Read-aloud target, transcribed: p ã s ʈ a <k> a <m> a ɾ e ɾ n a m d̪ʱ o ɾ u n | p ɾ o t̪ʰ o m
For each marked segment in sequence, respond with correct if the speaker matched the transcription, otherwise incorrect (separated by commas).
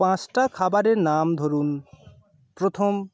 incorrect, incorrect